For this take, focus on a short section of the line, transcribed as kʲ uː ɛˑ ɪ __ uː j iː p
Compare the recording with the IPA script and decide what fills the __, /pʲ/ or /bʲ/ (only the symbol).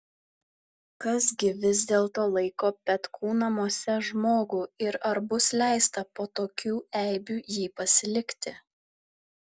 bʲ